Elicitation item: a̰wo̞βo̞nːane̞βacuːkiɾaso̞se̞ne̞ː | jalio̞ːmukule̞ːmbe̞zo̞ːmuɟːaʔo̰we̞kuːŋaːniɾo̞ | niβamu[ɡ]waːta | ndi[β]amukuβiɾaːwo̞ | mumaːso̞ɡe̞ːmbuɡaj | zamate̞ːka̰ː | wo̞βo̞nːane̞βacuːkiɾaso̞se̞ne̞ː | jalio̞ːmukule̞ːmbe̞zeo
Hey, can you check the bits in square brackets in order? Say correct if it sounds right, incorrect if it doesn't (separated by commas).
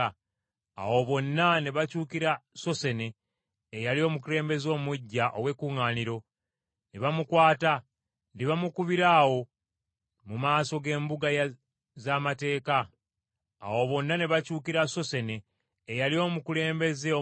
incorrect, correct